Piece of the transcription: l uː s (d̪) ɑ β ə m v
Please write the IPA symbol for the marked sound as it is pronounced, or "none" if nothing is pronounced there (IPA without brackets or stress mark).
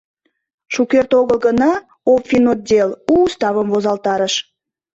t̪